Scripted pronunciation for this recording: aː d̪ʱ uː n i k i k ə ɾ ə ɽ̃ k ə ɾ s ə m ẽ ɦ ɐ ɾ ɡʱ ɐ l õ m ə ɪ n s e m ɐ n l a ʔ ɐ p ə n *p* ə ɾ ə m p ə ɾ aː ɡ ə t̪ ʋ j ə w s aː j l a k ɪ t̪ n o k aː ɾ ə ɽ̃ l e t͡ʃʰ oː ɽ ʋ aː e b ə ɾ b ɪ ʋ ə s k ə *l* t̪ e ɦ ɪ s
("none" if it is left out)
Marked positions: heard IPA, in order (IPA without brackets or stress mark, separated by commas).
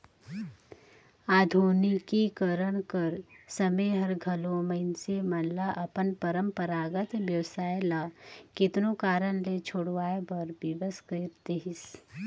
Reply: p, ɾ